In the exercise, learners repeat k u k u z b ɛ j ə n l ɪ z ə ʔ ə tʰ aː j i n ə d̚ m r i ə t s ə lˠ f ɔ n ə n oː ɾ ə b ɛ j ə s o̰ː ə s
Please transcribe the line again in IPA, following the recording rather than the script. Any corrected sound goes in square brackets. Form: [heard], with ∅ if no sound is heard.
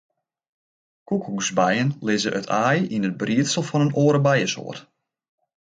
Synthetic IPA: k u k u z b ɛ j ə n l ɪ z ə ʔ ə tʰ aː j i n ə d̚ [b] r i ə t s ə lˠ f ɔ n ə n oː ɾ ə b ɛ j ə s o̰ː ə [t]